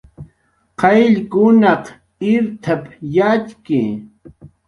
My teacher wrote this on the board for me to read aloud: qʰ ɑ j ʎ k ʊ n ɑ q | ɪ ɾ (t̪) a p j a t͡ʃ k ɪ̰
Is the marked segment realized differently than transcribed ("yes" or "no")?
yes